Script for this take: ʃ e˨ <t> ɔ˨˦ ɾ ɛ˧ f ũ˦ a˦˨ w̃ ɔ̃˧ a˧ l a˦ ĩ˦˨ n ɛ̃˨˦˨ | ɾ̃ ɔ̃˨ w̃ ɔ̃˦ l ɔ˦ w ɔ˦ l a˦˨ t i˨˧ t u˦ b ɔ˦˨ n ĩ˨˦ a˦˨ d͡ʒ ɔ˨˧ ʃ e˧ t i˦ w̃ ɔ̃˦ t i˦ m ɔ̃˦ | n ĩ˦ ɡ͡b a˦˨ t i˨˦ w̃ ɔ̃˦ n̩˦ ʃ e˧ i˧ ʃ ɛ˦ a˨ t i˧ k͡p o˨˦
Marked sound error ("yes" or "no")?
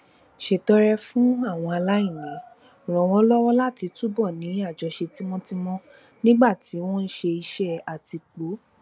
no